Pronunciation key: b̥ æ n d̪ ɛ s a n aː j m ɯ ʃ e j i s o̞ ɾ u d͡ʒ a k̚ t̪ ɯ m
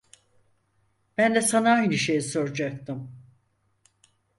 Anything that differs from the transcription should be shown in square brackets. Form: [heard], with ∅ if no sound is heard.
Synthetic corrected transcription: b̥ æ n d̪ ɛ s a n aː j [n] ɯ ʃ e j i s o̞ ɾ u d͡ʒ a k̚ t̪ ɯ m